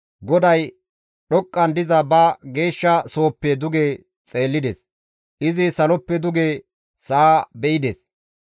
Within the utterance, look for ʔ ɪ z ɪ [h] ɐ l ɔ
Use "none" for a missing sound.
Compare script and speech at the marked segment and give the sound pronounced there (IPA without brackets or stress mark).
s